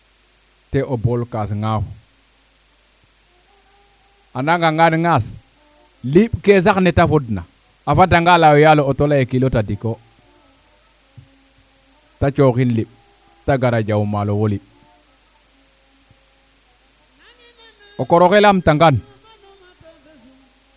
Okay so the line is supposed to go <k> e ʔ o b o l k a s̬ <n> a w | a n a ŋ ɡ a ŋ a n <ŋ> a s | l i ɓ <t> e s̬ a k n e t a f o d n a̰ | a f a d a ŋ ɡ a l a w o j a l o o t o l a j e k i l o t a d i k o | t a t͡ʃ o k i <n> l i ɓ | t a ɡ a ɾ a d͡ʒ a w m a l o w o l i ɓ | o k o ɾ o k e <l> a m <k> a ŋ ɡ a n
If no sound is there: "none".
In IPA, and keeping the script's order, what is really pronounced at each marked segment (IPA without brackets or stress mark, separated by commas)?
t, ŋ, ŋ, k, n, l, t